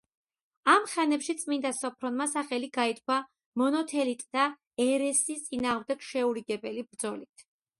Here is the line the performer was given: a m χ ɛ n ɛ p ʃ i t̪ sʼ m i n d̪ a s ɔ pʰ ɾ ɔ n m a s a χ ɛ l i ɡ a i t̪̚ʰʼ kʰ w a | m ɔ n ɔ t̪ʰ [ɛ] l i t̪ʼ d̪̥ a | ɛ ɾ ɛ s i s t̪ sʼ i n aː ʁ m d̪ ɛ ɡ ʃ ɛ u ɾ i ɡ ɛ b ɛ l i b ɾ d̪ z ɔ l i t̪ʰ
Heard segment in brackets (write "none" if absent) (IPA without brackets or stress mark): ɛ